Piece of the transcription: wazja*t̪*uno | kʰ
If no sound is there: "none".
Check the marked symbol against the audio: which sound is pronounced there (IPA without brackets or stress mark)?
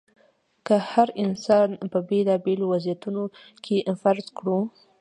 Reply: t̪